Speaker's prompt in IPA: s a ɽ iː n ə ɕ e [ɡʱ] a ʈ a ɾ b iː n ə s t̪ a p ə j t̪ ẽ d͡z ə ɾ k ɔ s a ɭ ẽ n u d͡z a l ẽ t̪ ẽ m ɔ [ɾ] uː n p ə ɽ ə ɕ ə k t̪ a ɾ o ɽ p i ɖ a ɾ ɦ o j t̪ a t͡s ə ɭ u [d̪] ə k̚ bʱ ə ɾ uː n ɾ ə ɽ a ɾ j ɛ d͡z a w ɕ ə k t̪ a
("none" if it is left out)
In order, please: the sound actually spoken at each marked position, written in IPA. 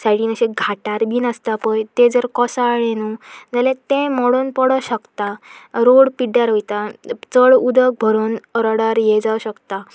ɡʱ, ɽ, d̪

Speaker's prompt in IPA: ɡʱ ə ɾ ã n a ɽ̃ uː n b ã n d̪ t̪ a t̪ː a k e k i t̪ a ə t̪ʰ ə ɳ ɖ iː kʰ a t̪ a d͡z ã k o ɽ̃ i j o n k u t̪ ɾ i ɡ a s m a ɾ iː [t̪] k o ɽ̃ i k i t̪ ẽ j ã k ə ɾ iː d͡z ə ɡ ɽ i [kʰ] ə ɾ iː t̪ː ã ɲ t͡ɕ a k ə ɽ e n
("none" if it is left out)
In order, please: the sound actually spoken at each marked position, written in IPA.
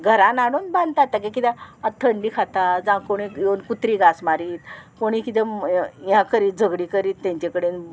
t̪, k

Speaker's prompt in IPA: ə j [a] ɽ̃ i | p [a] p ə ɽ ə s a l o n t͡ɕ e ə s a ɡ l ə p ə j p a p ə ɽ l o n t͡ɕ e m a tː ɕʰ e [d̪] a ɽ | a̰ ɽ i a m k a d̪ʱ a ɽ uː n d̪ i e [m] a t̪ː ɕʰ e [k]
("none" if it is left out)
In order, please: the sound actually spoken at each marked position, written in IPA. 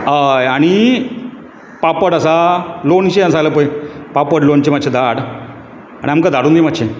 a, a, d̪, m, none

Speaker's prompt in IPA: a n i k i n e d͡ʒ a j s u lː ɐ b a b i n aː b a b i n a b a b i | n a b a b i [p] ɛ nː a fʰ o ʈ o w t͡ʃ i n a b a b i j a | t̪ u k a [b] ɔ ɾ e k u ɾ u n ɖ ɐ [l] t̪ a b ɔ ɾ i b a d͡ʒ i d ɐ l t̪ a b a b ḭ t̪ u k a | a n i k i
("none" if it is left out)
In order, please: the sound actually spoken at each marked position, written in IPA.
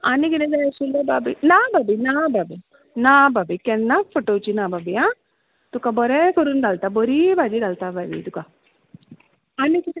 k, b, l

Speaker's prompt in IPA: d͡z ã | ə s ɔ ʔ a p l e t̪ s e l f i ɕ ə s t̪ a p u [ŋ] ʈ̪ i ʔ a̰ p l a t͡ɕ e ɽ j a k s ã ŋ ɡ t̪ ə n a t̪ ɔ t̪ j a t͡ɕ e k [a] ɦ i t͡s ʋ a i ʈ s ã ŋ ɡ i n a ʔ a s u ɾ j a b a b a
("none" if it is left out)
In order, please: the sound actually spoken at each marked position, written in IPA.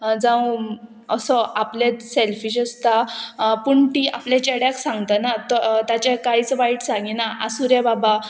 ɳ, a

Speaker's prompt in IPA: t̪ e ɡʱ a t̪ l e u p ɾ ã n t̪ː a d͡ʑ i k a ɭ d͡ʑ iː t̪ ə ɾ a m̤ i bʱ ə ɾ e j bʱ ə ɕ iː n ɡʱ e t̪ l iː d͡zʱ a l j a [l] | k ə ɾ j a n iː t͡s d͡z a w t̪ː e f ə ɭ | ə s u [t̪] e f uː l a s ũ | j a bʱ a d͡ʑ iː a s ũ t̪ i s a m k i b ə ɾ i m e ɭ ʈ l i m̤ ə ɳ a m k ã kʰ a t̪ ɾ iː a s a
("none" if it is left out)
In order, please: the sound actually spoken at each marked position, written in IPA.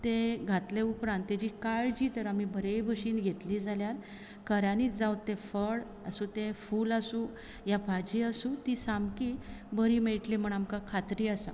ɾ, t̪

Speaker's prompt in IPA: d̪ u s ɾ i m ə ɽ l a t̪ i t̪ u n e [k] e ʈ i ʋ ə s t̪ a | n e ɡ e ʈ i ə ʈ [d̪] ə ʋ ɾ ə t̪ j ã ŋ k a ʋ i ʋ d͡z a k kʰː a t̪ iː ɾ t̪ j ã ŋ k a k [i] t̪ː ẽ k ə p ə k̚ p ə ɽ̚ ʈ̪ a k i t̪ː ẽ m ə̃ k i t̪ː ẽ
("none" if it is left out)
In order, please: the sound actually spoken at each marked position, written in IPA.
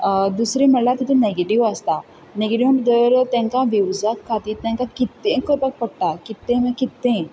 ɡ, d̪, i

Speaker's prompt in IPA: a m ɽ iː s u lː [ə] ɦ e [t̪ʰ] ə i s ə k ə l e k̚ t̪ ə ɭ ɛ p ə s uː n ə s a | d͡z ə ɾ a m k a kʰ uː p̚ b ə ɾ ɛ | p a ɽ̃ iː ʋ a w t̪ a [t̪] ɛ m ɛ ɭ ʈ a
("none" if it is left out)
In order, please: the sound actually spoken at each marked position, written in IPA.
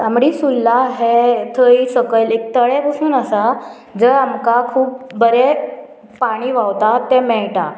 a, t̪ʰ, t̪

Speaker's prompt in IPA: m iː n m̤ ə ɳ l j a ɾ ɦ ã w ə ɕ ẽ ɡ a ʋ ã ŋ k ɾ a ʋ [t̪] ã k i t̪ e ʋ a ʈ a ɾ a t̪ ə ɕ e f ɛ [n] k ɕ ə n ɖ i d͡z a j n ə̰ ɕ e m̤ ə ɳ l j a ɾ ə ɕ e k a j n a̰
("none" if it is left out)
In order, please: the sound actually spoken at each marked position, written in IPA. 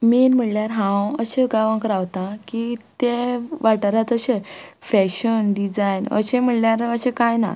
t̪, none

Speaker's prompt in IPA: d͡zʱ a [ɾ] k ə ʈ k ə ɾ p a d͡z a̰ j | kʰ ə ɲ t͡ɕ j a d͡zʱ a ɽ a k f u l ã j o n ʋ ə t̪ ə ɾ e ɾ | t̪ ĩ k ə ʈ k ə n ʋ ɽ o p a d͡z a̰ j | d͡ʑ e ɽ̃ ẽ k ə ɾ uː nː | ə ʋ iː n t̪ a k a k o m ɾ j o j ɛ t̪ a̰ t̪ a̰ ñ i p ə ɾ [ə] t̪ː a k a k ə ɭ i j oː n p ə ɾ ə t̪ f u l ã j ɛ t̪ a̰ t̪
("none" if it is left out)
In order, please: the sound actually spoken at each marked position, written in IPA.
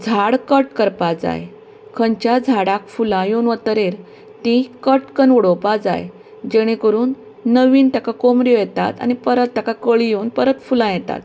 ɽ, ə

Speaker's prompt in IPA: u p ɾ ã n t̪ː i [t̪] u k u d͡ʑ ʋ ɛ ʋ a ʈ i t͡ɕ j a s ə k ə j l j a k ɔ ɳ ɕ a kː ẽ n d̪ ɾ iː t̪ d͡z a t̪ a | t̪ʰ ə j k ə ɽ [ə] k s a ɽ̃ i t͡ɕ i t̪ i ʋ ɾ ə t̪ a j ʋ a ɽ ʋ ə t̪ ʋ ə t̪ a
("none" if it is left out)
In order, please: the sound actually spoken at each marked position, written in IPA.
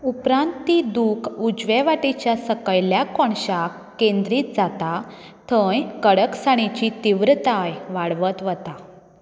d̪, ə

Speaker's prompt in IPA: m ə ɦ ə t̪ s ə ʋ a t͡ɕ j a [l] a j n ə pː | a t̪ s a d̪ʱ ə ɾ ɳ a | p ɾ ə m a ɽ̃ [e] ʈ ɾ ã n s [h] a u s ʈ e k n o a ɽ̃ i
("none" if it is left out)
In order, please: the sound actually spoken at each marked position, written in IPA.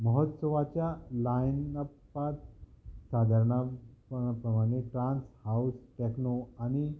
l, e, h

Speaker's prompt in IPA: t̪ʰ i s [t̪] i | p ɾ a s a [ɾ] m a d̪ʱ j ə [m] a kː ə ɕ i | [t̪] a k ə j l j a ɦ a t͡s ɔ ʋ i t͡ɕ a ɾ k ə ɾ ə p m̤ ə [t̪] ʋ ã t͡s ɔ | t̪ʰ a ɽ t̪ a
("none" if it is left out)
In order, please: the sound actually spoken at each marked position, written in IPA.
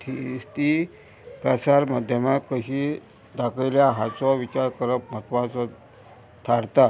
t̪, ɾ, m, d̪, t̪

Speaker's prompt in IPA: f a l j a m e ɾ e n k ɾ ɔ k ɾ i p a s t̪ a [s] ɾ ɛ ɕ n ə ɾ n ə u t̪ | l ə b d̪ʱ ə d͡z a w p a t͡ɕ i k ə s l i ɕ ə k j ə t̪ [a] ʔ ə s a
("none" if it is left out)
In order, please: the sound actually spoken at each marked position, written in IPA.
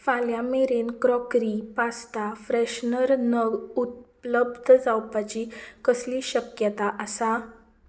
f, a

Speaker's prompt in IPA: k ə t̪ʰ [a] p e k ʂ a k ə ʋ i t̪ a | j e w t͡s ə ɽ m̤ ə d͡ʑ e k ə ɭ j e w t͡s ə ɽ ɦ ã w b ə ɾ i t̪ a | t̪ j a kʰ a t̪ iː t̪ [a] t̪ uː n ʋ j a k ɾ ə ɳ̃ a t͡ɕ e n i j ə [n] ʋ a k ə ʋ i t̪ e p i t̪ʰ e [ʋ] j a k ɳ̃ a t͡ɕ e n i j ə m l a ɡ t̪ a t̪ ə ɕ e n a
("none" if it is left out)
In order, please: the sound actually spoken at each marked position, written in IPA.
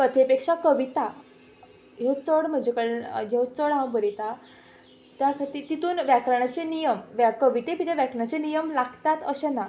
e, i, m, ʋ

